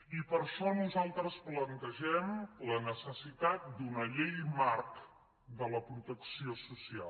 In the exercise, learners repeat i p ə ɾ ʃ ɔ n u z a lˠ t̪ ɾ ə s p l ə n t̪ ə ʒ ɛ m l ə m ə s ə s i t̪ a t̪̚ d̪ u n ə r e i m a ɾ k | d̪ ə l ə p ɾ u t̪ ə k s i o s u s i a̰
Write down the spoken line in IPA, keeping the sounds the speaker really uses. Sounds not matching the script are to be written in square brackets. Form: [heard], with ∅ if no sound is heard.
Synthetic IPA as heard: i p ə ɾ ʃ ɔ n u z a lˠ t̪ ɾ ə s p l ə n t̪ ə ʒ ɛ m l ə [n] ə s ə s i t̪ a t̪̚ d̪ u n ə [ʎ] e [j] m a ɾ k | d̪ ə l ə p ɾ u t̪ ə k s i o s u s i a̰